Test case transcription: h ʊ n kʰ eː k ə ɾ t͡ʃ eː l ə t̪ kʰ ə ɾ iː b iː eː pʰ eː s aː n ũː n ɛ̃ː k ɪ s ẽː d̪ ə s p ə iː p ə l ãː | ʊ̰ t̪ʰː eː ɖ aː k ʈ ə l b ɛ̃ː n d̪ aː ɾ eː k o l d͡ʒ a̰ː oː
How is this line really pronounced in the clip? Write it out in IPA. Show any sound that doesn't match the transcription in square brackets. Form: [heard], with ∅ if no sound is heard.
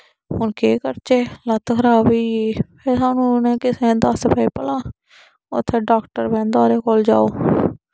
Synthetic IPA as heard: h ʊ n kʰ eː k ə ɾ t͡ʃ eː l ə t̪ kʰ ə ɾ [aː] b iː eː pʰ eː s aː n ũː n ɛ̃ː k ɪ s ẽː d̪ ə s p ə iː p ə l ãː | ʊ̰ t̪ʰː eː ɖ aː k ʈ ə [ɾ] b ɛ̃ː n d̪ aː ɾ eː k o l d͡ʒ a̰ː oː